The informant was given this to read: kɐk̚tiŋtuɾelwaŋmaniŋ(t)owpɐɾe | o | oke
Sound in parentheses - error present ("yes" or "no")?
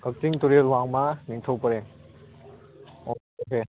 yes